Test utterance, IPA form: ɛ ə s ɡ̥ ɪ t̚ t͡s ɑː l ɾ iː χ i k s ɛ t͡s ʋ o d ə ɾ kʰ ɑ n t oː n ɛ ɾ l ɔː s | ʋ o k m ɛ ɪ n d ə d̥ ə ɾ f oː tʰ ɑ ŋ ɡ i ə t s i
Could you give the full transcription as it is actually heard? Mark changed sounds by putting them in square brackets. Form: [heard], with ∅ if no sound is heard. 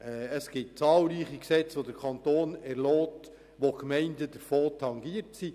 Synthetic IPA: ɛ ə s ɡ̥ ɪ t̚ t͡s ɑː l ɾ iː χ i k s ɛ t͡s ʋ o d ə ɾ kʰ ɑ n t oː n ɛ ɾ l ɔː [t] | ʋ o k m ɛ ɪ n d ə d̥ ə ɾ f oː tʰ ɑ ŋ ɡ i ə t s i